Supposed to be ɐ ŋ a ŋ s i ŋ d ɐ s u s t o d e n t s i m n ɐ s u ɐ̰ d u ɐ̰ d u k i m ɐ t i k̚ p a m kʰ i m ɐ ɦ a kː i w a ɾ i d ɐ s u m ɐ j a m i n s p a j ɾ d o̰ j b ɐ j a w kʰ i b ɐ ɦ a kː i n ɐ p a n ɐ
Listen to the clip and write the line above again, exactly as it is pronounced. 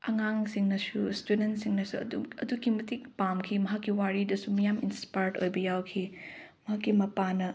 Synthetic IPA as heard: ɐ ŋ a ŋ s i ŋ n ɐ s u s t u d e n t s i ŋ n ɐ s u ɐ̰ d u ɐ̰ d u k i m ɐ t i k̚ p a m kʰ i m ɐ ɦ a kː i w a ɾ i d ɐ s u m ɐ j a m i n s p a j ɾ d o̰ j b ɐ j a w kʰ i m ɐ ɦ a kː i m ɐ p a n ɐ